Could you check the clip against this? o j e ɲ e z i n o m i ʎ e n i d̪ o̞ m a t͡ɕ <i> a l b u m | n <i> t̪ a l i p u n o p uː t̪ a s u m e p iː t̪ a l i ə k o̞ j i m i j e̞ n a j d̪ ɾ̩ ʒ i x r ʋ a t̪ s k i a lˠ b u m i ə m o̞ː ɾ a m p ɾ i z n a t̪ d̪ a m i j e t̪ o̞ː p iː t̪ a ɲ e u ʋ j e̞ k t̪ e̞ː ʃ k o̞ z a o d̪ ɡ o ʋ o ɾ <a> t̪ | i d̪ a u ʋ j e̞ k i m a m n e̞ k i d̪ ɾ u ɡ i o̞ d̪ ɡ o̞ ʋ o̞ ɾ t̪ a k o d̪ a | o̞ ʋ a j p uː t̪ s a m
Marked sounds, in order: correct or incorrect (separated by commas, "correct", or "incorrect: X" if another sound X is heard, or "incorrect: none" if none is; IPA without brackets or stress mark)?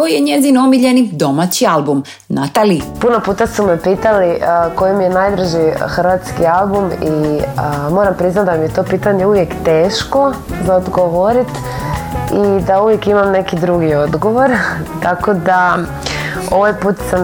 correct, incorrect: a, incorrect: i